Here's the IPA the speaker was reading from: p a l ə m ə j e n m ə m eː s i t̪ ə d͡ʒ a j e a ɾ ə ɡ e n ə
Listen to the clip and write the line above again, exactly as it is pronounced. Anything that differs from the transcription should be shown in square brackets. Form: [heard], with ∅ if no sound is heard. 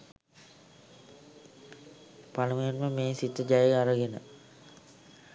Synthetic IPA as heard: p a l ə m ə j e n m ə m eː s i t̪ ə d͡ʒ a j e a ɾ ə ɡ e n ə